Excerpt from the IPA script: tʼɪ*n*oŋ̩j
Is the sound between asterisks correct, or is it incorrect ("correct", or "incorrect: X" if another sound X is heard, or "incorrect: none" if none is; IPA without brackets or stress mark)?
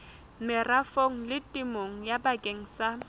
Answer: incorrect: m